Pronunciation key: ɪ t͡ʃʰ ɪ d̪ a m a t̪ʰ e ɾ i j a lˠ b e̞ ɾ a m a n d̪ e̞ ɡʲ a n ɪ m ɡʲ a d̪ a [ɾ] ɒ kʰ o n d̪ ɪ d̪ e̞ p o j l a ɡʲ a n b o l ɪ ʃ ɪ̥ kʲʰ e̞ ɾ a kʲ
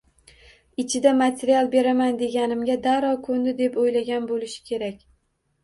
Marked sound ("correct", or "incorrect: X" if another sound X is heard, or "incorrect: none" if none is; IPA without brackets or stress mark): correct